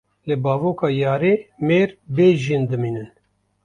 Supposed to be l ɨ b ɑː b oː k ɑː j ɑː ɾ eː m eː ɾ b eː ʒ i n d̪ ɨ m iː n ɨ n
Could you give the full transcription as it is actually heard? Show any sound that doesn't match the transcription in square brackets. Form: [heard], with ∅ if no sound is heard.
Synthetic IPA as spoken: l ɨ b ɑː [v] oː k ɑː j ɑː ɾ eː m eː ɾ b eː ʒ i n d̪ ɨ m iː n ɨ n